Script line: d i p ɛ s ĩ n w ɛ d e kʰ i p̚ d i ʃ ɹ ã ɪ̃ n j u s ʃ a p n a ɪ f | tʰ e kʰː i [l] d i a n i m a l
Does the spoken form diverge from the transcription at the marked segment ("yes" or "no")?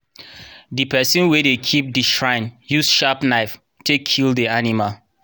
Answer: no